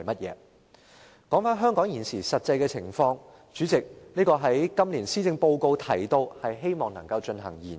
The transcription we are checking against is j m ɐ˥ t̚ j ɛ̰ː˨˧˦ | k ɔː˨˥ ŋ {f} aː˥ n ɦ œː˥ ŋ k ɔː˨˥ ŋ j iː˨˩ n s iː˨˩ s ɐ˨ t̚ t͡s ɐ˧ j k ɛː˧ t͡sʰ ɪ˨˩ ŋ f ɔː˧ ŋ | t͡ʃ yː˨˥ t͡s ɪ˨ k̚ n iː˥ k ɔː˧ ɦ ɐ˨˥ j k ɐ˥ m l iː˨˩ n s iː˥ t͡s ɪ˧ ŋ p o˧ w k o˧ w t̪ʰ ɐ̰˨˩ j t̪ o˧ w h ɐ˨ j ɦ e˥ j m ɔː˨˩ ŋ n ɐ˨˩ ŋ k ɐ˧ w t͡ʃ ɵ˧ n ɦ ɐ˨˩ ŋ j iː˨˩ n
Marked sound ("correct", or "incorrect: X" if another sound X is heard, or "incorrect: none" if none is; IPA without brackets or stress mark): correct